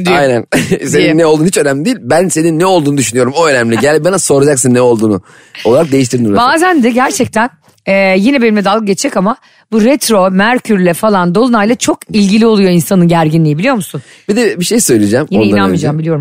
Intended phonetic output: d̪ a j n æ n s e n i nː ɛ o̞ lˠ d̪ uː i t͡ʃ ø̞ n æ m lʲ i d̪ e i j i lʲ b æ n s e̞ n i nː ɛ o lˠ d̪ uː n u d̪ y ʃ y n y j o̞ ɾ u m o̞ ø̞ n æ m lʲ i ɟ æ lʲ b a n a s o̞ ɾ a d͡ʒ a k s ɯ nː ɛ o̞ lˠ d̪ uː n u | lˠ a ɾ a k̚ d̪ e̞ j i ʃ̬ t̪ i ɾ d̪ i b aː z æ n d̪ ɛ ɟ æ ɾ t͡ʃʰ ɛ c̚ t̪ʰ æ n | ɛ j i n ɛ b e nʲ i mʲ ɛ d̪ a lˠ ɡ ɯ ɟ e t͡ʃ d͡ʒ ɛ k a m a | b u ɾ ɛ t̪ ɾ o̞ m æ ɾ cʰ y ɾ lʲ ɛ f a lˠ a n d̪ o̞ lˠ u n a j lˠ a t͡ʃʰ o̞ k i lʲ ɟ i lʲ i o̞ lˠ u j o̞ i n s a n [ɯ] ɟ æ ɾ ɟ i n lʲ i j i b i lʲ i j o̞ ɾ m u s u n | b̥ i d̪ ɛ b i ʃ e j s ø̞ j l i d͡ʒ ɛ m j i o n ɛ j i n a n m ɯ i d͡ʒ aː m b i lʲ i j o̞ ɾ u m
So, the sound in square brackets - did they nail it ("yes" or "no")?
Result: yes